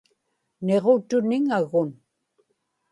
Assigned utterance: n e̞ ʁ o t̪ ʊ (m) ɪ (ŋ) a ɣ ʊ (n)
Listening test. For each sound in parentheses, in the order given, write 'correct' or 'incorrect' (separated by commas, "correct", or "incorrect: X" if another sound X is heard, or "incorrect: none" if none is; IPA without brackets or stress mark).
incorrect: n, correct, correct